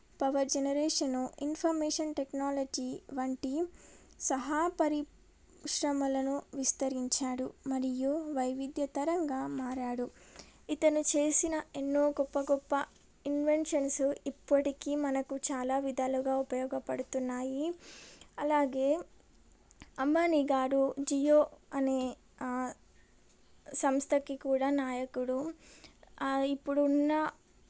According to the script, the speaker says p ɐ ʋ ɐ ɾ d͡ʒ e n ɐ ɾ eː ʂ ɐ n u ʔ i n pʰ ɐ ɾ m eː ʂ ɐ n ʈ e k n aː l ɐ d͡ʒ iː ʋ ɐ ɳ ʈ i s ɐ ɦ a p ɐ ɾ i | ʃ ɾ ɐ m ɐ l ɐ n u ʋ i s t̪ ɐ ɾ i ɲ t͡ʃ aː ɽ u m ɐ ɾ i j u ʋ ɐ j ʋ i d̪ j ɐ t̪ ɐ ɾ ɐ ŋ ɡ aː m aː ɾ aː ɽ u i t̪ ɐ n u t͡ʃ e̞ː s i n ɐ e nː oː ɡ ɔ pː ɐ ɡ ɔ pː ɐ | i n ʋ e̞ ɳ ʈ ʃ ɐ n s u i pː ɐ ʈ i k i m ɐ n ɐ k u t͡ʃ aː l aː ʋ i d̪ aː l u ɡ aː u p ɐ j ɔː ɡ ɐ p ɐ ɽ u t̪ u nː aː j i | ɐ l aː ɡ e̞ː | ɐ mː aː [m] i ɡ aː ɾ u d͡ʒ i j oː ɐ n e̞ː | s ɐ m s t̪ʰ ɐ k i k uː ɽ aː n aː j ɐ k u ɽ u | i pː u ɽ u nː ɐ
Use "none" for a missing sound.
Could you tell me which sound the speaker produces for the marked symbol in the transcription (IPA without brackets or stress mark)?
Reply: n